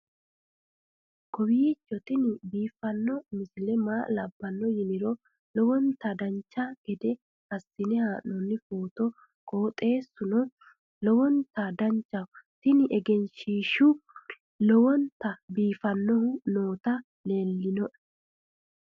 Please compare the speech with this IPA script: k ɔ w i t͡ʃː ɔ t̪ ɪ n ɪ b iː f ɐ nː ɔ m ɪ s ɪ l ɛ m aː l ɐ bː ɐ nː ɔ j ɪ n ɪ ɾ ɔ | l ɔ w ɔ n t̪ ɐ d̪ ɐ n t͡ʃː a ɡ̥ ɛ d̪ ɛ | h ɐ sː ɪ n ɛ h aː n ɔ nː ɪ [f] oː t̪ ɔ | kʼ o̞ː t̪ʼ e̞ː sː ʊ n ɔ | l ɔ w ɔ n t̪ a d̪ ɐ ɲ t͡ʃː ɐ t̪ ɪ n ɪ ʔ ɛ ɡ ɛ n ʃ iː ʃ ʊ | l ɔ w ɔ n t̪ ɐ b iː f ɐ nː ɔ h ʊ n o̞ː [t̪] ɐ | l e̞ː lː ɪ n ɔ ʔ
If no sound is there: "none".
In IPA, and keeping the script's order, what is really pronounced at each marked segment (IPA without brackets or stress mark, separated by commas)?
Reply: f, t̪